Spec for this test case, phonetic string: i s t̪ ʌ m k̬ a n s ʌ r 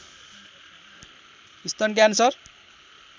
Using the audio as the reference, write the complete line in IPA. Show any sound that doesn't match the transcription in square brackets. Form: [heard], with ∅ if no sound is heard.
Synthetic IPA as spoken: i s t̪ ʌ [n] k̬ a n s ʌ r

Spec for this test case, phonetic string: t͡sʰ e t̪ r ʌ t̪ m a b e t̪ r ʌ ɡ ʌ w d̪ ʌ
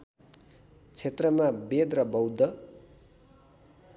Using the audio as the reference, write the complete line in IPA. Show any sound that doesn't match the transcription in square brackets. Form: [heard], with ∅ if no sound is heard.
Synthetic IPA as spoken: t͡sʰ e t̪ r ʌ [∅] m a b e [d̪] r ʌ [b] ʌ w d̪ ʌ

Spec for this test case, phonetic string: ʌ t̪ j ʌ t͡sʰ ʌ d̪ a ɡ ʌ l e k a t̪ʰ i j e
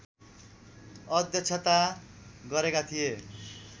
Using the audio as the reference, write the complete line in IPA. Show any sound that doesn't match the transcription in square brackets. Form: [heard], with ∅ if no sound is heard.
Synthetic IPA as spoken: ʌ [d̪] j ʌ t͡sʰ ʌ [t̪] a ɡ ʌ [ɾ] e k a t̪ʰ i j e

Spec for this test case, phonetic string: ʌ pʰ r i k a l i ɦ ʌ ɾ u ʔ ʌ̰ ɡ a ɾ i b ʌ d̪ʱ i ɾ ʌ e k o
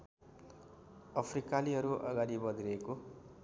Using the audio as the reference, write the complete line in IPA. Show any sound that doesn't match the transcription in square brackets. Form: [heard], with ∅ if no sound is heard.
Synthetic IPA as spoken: ʌ pʰ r i k a l i ɦ ʌ ɾ u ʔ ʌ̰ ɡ a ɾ i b ʌ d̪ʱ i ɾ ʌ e k o

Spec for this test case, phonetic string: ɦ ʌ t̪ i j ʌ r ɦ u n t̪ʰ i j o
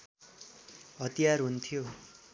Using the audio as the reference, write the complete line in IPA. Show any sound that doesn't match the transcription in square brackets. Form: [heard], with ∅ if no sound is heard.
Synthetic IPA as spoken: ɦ ʌ t̪ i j [a] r ɦ u n t̪ʰ i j o

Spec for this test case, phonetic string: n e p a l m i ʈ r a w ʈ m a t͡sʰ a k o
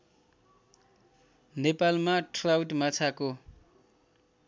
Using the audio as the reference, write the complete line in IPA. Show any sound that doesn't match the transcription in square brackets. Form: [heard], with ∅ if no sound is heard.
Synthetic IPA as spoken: n e p a l m [a] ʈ r a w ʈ m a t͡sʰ a k o

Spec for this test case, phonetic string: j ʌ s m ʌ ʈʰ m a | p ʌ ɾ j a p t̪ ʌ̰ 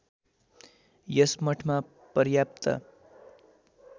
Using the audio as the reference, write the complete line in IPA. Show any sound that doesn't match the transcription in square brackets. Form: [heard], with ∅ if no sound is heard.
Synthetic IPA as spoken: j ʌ s m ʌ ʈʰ m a | p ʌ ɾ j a p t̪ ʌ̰

